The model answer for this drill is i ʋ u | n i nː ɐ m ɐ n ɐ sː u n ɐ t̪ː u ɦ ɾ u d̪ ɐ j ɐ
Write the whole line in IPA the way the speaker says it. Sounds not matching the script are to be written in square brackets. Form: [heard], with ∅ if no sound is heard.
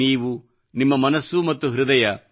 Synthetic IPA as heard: [iː] ʋ u | n i [mː] ɐ m ɐ n ɐ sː u [m] ɐ t̪ː u ɦ ɾ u d̪ ɐ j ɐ